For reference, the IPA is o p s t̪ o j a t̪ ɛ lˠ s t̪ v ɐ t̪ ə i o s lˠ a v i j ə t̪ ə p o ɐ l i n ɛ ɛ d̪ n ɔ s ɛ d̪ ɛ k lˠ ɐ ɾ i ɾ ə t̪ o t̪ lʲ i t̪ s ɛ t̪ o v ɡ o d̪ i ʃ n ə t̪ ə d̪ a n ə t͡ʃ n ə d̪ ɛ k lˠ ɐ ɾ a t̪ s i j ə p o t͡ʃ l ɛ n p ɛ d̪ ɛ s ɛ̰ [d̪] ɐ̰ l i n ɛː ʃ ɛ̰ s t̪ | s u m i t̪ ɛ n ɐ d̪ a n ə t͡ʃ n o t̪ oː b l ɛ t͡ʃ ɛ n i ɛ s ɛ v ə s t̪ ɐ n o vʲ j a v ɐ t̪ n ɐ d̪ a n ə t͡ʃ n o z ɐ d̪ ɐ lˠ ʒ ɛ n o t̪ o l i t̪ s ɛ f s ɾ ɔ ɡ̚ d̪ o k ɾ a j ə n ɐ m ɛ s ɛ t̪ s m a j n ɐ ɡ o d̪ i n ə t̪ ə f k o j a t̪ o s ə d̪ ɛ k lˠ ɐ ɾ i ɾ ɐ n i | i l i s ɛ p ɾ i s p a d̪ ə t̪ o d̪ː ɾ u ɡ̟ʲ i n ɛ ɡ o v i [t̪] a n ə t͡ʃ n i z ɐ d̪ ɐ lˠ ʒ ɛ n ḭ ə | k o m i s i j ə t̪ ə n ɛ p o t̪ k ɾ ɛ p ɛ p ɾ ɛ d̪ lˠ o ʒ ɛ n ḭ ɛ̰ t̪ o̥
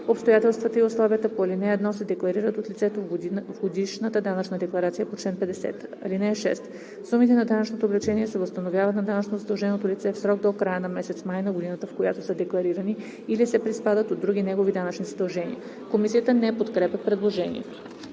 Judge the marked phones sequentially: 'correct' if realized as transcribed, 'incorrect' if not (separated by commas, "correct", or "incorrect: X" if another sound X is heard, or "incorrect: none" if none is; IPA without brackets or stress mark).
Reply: incorrect: t̪, incorrect: d̪